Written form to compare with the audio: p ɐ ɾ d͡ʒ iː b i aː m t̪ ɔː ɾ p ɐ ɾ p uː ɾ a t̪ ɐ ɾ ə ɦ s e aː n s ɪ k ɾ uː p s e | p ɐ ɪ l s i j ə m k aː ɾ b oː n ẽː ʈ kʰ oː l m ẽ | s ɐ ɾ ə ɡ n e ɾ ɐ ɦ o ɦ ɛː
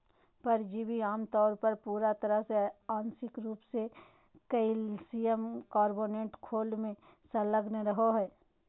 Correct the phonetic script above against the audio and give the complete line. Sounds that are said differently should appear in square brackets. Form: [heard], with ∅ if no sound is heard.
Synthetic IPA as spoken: p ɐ ɾ d͡ʒ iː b i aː m t̪ ɔː ɾ p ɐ ɾ p uː ɾ a t̪ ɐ ɾ ə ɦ s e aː n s ɪ k ɾ uː p s e | [k] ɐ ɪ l s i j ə m k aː ɾ b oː n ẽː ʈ kʰ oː l m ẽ | s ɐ [l] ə ɡ n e ɾ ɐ ɦ o ɦ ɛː